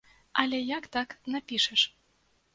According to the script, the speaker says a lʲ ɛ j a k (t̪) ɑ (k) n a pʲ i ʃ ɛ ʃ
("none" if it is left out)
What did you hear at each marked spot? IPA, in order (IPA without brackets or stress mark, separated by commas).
t̪, k